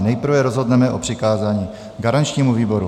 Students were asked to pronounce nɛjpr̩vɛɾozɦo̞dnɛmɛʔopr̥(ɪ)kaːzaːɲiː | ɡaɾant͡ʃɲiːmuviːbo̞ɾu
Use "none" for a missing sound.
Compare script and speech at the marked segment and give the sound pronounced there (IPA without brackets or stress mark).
ɪ